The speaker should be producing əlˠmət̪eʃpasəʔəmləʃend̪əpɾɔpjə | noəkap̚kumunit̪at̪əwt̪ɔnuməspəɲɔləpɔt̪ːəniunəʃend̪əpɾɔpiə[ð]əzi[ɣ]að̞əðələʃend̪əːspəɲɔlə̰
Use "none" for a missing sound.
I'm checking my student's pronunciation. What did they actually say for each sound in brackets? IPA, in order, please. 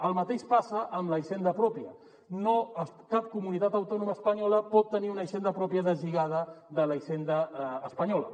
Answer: ð, ɣ

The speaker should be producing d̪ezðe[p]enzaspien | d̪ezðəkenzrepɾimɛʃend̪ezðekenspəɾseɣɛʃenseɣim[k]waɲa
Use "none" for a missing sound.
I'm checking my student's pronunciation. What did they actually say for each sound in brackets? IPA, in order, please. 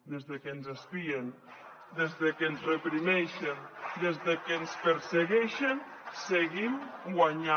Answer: k, ɡ

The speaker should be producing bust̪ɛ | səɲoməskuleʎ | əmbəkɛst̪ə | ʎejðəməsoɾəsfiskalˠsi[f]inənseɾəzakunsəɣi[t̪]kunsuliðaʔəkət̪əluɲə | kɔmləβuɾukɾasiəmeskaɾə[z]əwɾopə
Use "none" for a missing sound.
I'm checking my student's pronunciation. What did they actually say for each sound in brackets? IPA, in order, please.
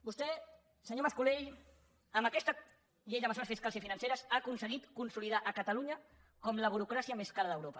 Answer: f, t̪, ð

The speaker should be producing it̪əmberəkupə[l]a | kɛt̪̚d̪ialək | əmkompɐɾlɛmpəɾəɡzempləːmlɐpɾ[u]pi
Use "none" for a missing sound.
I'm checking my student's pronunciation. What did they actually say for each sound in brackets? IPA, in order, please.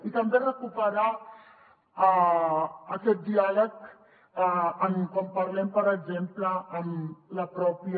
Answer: ɾ, ɔ

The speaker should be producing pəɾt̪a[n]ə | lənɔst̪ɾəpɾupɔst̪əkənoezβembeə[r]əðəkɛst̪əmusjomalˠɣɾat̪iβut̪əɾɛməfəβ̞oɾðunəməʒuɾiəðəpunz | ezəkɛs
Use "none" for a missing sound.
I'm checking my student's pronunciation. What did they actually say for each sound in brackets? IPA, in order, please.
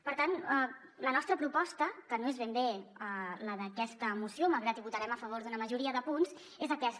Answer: n, l

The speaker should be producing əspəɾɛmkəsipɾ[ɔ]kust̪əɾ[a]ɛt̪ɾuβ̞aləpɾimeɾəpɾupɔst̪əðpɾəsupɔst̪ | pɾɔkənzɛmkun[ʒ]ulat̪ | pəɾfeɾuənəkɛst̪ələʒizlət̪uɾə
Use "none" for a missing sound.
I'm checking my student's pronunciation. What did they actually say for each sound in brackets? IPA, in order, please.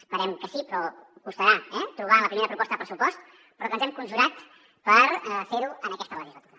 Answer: ɔ, a, ʒ

